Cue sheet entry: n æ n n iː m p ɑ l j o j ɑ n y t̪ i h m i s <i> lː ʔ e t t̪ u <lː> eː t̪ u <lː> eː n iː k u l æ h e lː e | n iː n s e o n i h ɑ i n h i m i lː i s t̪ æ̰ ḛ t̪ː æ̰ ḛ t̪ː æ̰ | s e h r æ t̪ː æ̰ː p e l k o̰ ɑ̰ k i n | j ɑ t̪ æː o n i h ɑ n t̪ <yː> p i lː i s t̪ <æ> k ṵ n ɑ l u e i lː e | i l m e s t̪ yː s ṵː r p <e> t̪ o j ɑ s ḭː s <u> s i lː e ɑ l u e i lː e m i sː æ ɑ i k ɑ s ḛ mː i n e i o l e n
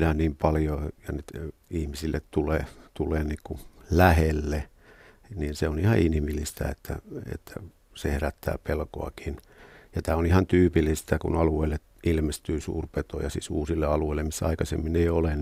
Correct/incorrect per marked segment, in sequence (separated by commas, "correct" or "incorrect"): correct, incorrect, incorrect, correct, correct, correct, incorrect